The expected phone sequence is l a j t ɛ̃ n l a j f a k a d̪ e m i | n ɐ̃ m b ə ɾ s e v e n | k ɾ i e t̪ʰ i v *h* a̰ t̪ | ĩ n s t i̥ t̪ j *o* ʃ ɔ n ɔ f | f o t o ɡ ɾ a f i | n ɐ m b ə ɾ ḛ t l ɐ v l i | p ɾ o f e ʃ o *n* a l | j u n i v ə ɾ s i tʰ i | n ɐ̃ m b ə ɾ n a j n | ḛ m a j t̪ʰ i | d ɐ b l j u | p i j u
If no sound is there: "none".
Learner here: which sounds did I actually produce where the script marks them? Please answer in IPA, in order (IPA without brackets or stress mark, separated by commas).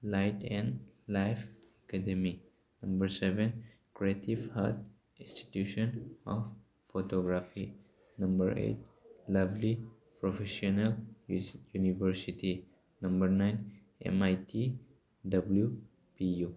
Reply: h, u, n